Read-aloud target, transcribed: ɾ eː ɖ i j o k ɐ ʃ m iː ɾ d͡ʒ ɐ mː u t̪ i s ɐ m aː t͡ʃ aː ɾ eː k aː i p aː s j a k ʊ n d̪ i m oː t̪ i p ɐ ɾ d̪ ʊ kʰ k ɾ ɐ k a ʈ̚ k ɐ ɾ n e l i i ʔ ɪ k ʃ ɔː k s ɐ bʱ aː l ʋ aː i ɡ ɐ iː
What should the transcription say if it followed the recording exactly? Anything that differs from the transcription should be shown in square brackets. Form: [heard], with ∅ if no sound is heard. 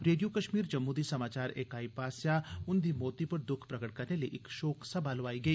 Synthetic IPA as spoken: ɾ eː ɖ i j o k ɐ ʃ m iː ɾ d͡ʒ ɐ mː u [d̪] i s ɐ m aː t͡ʃ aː ɾ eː k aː i p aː s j a [∅] ʊ n d̪ i m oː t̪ i p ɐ ɾ d̪ ʊ kʰ [p] ɾ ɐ k [ə] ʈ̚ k ɐ ɾ n e l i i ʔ ɪ k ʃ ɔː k s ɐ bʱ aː l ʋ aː i ɡ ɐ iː